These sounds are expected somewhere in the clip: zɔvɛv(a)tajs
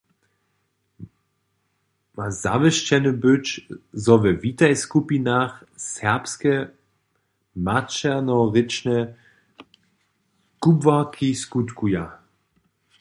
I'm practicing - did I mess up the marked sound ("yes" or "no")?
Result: yes